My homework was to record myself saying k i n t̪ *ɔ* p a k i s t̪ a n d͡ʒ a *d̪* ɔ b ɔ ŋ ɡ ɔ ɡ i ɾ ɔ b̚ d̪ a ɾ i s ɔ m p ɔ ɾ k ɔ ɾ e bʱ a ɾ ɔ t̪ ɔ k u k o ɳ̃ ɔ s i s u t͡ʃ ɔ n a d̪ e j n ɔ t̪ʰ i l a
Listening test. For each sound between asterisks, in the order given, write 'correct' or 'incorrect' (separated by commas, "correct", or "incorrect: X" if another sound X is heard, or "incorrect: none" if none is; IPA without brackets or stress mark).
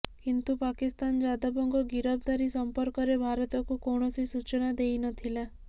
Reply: incorrect: u, correct